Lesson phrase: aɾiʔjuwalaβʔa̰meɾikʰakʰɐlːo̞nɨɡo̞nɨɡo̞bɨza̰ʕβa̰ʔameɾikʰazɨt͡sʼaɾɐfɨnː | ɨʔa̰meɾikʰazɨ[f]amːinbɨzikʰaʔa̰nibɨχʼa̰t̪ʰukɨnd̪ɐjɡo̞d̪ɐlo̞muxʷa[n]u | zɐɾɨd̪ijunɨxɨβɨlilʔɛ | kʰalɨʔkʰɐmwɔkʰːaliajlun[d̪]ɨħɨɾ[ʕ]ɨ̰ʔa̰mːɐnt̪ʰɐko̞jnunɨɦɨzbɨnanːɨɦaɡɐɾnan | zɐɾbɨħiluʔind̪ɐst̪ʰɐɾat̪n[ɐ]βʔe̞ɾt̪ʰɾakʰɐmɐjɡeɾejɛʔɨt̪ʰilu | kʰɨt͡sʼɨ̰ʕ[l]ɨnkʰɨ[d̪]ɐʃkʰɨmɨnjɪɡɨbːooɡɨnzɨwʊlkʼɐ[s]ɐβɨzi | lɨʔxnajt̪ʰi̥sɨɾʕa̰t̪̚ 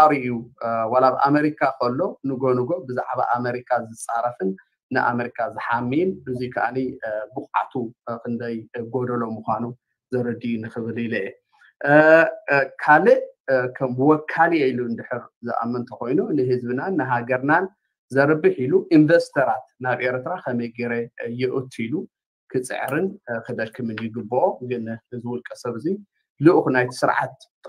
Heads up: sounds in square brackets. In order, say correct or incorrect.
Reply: incorrect, correct, correct, incorrect, incorrect, incorrect, correct, correct

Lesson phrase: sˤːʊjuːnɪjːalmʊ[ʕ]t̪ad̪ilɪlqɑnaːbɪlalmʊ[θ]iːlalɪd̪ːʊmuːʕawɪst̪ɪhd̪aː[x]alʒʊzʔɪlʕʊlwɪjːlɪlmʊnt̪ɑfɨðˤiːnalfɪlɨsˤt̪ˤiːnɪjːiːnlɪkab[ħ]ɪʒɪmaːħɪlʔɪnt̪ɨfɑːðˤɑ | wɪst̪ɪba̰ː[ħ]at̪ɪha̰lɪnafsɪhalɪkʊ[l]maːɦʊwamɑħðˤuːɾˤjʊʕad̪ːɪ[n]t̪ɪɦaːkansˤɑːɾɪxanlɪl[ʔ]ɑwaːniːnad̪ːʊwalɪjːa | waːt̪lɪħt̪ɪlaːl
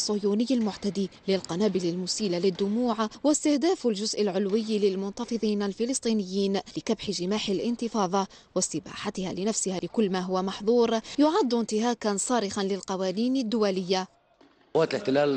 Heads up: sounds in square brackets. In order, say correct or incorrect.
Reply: correct, incorrect, incorrect, correct, correct, incorrect, correct, incorrect

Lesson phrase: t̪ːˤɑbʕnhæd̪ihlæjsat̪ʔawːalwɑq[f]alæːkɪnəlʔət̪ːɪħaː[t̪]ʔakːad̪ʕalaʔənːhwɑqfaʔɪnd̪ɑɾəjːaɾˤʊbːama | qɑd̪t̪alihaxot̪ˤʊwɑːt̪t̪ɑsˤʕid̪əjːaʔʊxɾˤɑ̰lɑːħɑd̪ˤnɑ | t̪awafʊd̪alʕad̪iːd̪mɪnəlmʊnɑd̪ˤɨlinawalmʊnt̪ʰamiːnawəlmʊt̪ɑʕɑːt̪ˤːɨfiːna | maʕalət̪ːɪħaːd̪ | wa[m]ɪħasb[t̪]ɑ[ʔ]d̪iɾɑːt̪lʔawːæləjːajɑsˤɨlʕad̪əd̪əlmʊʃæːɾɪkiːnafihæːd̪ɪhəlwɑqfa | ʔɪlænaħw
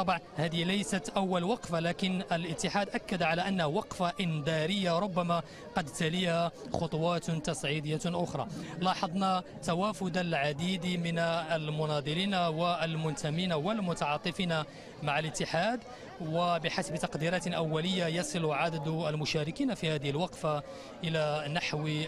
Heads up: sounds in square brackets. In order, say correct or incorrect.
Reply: correct, incorrect, incorrect, correct, incorrect

